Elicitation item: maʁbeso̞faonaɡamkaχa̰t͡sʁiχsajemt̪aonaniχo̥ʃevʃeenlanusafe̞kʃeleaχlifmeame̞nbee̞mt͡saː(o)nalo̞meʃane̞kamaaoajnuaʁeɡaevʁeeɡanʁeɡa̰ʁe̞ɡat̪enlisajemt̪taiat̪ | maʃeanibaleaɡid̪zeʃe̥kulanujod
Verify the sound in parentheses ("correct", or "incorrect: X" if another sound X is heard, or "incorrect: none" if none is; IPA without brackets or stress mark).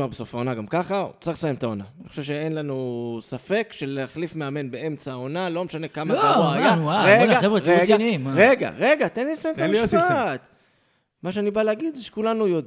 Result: correct